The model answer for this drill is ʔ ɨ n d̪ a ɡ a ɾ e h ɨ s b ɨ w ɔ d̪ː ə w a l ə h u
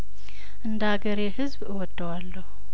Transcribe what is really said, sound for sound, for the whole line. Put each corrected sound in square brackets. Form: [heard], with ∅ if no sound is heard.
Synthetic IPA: ʔ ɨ n d̪ a ɡ [ə] ɾ e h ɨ [z] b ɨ w ɔ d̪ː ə w a [lː] ə h u